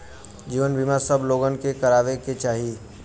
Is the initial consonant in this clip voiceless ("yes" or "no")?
no